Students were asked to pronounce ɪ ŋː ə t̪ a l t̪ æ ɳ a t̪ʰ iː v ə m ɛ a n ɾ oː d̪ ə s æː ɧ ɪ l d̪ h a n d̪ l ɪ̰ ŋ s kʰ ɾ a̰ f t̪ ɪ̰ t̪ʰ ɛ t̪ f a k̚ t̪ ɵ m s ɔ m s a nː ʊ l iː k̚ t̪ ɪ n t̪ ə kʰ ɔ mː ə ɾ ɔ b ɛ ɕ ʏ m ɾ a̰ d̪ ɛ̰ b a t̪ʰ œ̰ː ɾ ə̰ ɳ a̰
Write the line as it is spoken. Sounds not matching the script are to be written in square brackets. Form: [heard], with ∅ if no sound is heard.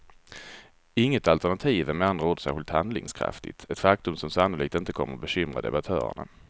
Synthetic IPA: ɪ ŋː ə t̪ a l t̪ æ ɳ a t̪ʰ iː v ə m ɛ a n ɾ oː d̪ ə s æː ɧ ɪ l [t̪] h a n d̪ l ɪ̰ ŋ s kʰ ɾ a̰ f t̪ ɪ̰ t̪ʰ ɛ t̪ f a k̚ t̪ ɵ m s ɔ m s a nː ʊ l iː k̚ t̪ ɪ n t̪ ə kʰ ɔ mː ə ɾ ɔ b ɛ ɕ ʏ m ɾ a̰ d̪ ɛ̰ b a t̪ʰ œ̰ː ɾ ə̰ ɳ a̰